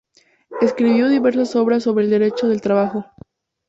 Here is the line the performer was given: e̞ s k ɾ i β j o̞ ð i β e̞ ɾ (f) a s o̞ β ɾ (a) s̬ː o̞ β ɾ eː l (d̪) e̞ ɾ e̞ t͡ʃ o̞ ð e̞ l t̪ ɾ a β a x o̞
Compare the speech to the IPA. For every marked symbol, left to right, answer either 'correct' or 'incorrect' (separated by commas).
incorrect, correct, correct